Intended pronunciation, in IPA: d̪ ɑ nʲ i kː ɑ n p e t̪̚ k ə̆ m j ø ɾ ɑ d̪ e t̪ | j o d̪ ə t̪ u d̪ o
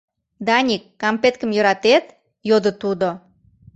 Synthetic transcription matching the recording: d̪ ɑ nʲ i kː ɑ m p e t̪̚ k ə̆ m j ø ɾ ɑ t̪ e t̪ | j o d̪ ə t̪ u d̪ o